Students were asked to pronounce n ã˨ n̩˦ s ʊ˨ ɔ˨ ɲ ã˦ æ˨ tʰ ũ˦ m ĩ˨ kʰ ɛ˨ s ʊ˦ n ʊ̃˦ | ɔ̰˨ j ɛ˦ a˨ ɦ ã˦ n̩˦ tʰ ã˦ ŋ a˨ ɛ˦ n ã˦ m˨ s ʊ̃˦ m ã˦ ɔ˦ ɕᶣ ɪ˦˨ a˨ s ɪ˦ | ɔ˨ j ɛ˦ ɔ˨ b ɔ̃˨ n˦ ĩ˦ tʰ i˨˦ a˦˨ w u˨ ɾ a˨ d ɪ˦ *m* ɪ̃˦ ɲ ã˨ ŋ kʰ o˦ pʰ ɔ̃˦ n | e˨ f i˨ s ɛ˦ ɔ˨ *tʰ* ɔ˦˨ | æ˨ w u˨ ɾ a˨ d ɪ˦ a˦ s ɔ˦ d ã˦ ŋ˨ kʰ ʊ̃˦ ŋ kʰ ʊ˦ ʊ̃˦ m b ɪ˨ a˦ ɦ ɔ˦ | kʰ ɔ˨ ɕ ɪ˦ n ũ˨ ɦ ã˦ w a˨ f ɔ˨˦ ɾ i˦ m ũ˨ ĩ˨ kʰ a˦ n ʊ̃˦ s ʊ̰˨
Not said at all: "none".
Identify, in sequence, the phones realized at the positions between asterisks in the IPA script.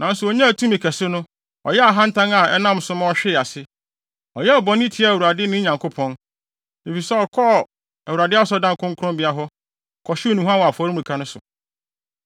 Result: n, kʰ

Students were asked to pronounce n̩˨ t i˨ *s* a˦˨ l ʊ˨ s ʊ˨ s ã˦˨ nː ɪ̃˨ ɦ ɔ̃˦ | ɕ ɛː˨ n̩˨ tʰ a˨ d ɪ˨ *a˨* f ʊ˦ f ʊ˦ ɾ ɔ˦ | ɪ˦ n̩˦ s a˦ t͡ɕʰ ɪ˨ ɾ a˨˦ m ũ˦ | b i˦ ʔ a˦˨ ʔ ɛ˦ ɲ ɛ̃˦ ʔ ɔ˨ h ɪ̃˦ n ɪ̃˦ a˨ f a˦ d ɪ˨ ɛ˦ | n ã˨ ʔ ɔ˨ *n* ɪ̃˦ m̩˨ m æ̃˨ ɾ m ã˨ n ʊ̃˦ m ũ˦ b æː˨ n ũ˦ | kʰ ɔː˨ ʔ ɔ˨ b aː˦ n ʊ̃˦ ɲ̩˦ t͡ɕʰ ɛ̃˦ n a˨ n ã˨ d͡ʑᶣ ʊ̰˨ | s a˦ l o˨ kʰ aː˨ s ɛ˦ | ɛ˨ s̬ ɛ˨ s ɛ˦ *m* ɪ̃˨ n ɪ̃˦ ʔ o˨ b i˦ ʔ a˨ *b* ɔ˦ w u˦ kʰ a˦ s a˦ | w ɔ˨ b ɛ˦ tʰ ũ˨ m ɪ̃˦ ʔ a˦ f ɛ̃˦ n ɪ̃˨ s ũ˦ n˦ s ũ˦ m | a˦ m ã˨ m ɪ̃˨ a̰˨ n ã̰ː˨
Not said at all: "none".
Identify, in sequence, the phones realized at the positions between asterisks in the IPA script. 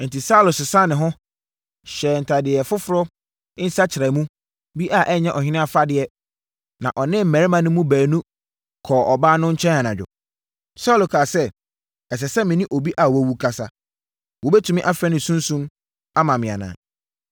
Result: s, ɛ˨, n, m, w

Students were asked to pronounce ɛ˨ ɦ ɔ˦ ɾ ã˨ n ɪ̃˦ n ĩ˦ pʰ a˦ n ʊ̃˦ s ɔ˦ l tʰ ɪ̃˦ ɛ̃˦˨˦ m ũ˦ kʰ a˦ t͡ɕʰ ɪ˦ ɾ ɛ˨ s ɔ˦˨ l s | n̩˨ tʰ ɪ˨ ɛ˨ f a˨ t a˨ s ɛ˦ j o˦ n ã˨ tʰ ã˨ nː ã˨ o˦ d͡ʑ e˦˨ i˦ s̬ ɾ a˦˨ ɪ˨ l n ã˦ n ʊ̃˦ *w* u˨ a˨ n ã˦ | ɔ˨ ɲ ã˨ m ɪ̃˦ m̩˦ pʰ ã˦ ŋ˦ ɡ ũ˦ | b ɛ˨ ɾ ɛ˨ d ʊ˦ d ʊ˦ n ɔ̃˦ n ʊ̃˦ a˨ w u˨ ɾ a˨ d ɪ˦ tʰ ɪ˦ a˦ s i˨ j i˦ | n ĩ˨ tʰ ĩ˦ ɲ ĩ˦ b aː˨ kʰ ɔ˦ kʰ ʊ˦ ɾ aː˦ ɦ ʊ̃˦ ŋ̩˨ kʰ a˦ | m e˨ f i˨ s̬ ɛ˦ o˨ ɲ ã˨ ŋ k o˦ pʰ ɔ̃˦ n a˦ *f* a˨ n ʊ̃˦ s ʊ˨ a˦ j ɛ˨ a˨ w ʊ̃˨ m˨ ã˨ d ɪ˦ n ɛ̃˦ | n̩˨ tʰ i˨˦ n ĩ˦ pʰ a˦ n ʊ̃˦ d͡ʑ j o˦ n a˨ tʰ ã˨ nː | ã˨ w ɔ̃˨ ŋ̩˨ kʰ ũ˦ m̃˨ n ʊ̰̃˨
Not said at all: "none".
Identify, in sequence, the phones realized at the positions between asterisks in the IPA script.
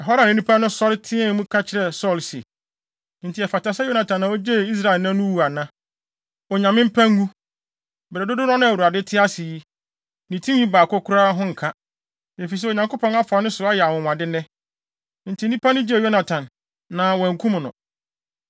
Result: w, f

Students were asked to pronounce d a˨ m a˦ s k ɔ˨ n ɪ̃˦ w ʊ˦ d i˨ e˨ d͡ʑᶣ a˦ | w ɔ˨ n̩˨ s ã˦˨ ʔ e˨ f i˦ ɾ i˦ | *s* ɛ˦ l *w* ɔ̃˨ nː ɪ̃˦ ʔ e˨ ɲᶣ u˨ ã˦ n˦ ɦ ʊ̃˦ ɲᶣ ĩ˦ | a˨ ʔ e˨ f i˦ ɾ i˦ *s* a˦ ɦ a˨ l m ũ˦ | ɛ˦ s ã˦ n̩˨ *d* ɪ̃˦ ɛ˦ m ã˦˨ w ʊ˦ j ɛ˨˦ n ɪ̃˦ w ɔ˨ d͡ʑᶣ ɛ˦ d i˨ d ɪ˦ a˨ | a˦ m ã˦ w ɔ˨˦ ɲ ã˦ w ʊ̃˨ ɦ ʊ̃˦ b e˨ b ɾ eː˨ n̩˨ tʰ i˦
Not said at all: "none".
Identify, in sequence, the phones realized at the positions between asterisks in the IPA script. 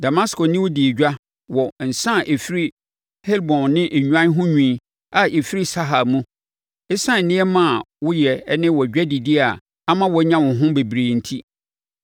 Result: h, b, s, n

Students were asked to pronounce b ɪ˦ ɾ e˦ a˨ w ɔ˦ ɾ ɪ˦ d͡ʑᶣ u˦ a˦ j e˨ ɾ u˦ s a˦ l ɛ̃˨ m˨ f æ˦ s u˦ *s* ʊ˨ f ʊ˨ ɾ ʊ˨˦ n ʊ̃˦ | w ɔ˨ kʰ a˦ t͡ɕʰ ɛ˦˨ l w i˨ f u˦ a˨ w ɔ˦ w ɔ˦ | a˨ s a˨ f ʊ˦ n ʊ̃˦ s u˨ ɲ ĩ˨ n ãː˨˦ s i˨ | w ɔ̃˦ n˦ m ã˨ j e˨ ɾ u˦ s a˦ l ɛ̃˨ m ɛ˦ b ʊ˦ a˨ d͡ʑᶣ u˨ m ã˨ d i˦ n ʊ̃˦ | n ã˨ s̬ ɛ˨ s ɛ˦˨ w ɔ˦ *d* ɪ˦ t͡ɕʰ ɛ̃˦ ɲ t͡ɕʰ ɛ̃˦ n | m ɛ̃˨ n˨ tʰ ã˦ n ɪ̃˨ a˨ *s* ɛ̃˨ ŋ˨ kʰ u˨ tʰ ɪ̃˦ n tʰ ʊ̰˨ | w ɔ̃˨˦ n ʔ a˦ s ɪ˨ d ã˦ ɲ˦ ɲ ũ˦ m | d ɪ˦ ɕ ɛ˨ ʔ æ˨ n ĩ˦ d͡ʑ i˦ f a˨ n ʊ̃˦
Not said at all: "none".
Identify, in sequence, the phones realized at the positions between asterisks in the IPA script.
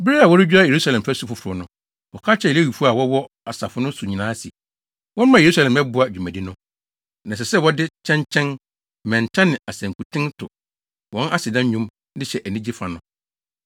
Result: f, d, s

